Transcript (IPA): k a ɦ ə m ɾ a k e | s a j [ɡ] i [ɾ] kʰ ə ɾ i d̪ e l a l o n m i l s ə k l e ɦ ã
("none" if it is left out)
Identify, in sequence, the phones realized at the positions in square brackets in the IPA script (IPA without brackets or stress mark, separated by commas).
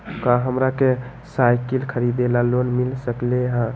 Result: k, l